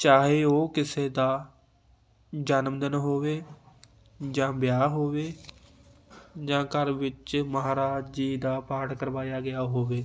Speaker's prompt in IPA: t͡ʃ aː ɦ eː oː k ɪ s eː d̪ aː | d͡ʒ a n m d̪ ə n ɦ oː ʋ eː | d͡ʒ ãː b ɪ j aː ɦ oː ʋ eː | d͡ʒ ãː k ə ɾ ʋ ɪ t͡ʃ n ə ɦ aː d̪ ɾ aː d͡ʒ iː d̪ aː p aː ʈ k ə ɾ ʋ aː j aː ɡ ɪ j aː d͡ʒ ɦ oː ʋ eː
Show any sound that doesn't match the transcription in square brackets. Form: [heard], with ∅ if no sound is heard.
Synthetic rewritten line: t͡ʃ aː ɦ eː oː k ɪ s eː d̪ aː | d͡ʒ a n m d̪ ə n ɦ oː ʋ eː | d͡ʒ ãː b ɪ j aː ɦ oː ʋ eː | d͡ʒ ãː k ə ɾ ʋ ɪ t͡ʃ [m] ə ɦ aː [∅] ɾ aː d͡ʒ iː d̪ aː p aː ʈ k ə ɾ ʋ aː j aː ɡ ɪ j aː [∅] ɦ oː ʋ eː